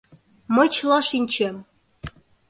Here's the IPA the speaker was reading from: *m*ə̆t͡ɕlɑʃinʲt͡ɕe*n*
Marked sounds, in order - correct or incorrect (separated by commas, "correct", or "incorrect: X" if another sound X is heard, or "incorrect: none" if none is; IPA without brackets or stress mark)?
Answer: correct, incorrect: m